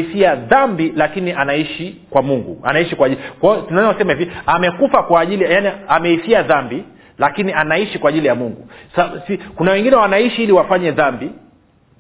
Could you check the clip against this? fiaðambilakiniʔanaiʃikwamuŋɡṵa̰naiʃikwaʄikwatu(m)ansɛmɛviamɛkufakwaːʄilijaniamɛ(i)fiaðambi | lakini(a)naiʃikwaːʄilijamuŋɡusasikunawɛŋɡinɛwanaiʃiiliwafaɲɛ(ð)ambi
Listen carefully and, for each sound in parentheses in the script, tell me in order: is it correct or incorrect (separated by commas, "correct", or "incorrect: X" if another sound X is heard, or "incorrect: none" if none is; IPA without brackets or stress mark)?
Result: incorrect: n, correct, correct, correct